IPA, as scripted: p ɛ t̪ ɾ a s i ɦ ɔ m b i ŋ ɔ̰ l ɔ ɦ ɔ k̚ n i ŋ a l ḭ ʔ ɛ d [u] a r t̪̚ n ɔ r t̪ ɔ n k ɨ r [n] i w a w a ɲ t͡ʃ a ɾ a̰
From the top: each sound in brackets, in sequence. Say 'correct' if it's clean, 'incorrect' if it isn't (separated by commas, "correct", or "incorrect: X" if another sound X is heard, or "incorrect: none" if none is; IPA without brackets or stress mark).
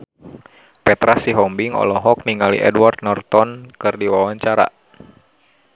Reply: incorrect: w, incorrect: d